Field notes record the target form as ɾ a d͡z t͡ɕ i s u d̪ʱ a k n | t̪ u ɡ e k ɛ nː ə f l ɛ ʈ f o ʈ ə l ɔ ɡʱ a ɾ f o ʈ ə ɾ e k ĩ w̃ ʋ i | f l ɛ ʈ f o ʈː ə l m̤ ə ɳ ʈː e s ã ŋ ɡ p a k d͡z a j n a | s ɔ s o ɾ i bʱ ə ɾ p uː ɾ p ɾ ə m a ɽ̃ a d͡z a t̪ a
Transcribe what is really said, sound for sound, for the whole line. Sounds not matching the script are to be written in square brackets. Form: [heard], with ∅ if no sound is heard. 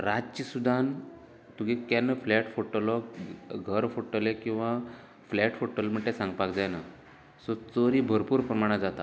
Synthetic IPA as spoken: ɾ a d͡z t͡ɕ i s u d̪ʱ a [∅] n | t̪ u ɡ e k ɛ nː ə f l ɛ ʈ f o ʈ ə l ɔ ɡʱ [ə] ɾ f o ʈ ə [l] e k ĩ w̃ ʋ [a] | f l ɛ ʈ f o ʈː ə l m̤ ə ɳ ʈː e s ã ŋ ɡ p a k d͡z a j n a | s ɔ [t͡s] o ɾ i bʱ ə ɾ p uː ɾ p ɾ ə m a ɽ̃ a d͡z a t̪ a